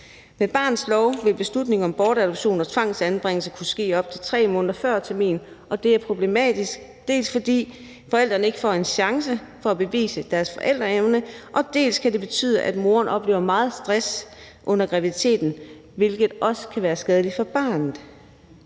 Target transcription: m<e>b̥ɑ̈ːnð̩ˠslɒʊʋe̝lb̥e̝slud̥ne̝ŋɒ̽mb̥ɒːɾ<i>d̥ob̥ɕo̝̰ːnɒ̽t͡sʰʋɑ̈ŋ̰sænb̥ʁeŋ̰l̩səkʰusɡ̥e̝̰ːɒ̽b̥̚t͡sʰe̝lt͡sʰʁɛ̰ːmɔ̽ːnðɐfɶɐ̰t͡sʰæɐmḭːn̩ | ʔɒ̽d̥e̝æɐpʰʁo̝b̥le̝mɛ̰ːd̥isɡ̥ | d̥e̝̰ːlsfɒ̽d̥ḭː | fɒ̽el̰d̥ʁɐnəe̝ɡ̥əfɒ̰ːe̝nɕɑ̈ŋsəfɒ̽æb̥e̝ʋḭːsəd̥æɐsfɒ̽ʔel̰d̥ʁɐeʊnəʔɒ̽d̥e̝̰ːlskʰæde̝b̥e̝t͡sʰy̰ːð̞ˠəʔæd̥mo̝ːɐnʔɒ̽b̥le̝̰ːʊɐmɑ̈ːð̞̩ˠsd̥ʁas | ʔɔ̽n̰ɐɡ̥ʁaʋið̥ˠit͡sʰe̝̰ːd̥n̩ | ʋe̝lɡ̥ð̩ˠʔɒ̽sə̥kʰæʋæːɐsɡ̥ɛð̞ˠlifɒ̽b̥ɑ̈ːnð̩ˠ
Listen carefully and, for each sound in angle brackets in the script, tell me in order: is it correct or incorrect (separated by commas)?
correct, incorrect